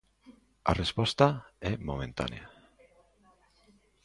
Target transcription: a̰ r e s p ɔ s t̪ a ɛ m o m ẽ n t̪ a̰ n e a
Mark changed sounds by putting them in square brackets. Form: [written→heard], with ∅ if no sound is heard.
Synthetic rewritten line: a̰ r e s p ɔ s t̪ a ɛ m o m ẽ n t̪ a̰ n e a